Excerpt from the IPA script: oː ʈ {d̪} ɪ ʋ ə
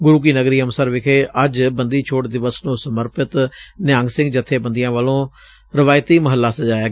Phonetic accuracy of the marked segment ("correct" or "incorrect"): correct